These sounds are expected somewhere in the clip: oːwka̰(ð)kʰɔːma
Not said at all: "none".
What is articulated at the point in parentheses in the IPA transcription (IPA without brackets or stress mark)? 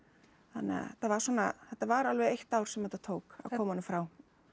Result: ð